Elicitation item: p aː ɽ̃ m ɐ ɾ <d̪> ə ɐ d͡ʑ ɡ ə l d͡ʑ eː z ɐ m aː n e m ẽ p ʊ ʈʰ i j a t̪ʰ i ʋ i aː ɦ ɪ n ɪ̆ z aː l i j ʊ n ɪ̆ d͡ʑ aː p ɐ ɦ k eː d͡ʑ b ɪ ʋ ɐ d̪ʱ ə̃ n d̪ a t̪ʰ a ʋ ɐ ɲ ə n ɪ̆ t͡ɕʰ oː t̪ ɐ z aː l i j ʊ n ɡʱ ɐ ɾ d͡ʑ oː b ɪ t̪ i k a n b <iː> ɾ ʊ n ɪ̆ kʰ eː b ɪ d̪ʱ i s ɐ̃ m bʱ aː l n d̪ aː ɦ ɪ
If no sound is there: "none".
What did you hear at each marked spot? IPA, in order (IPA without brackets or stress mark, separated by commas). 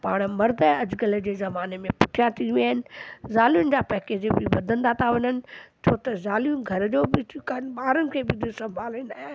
d̪, aː